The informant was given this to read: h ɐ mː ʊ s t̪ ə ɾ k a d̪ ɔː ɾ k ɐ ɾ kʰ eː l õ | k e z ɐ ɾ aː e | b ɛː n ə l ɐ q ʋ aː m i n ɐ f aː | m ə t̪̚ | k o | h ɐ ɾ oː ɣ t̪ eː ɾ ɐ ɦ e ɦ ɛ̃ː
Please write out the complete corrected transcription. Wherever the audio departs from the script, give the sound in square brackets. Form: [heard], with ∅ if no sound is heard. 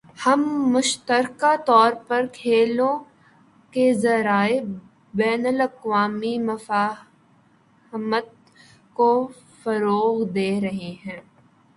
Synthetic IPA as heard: h ɐ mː ʊ [ʃ] t̪ ə ɾ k a [t̪] ɔː ɾ [p] ɐ ɾ kʰ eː l õ | k e z ɐ ɾ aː e | b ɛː n ə l ɐ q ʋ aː m i [m] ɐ f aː | m ə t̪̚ | k o | [f] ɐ ɾ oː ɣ [d̪] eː ɾ ɐ ɦ e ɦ ɛ̃ː

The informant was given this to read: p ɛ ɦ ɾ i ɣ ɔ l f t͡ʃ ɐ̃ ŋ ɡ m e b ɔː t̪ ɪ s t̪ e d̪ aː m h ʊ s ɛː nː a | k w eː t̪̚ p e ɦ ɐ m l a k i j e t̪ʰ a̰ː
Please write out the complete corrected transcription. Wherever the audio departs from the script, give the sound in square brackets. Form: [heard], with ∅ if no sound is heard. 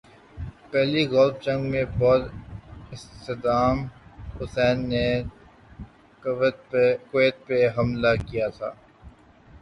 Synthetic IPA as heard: p ɛ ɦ [l] i ɣ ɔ l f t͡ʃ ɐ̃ ŋ ɡ m [ẽ] b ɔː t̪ ɪ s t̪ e d̪ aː m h ʊ s ɛː nː [e] | k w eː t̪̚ p e ɦ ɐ m l a k i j [a] t̪ʰ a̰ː

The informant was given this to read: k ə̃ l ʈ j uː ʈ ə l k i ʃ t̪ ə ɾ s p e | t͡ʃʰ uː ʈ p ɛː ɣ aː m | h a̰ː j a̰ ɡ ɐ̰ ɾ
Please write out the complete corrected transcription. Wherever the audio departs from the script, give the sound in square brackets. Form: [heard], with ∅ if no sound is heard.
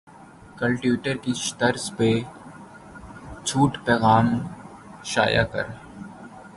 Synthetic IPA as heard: k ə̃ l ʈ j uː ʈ ə [ɾ] k i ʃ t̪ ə ɾ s p e | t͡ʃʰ uː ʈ p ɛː ɣ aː m | [ʃ] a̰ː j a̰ [k] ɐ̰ ɾ

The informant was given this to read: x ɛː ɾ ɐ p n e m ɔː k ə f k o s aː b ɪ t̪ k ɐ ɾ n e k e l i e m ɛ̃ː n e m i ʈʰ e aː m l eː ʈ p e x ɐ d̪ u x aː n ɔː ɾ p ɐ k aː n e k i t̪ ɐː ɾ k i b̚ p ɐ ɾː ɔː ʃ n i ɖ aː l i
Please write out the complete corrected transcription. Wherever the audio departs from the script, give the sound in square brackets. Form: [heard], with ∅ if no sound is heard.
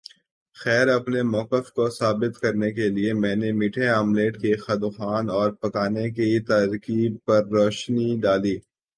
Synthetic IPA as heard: x ɛː ɾ ɐ p n e m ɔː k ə f k o s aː b ɪ t̪ k ɐ ɾ n e k e l i e m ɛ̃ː n e m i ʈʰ e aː m l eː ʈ [k] e x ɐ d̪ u x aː n ɔː ɾ p ɐ k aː n e k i t̪ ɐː ɾ k i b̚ p ɐ ɾː ɔː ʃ n i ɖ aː l [iː]

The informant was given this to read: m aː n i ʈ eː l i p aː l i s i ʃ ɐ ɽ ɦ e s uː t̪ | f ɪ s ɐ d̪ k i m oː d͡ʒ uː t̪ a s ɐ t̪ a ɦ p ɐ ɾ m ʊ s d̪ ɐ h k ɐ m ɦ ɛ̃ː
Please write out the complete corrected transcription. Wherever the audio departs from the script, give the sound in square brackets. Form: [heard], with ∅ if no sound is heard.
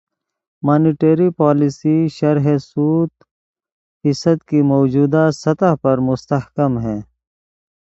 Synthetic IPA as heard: m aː n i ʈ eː [ɾ] i p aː l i s i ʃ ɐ [ɾ] ɦ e s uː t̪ | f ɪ s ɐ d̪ k i m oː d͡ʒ uː [d̪] a s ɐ t̪ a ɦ p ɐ ɾ m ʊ s [t̪] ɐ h k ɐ m ɦ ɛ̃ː

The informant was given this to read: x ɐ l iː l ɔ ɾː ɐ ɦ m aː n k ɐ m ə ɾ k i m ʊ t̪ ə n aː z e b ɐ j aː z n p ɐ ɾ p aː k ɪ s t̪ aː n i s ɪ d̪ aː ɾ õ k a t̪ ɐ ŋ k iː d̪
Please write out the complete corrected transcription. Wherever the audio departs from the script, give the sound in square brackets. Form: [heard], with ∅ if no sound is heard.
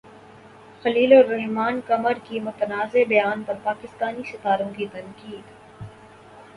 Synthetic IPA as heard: x ɐ l iː l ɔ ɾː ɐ ɦ m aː n k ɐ m ə ɾ k i m ʊ t̪ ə n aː z e b ɐ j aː [∅] n p ɐ ɾ p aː k ɪ s t̪ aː n i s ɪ [t̪] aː ɾ õ k [i] t̪ ɐ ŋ k iː d̪

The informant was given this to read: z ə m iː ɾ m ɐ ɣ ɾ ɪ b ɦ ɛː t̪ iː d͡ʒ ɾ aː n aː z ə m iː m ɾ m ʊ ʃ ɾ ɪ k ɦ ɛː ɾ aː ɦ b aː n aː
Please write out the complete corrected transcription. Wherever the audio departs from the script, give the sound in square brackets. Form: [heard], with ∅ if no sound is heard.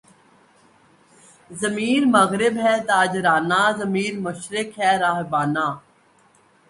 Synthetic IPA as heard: z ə m iː ɾ m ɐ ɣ ɾ ɪ b ɦ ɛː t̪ [aː] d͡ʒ ɾ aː n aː z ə m iː [∅] ɾ m ʊ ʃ ɾ ɪ k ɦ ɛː ɾ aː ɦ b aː n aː

